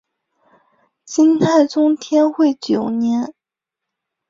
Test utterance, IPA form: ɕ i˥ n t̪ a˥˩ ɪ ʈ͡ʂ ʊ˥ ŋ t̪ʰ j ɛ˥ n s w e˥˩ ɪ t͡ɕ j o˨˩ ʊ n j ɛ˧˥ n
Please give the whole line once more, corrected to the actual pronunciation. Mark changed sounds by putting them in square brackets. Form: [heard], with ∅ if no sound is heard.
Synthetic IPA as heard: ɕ i˥ n [t̪ʰ] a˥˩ ɪ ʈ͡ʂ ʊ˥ ŋ t̪ʰ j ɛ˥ n [x] w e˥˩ ɪ t͡ɕ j o˨˩ ʊ n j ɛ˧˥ n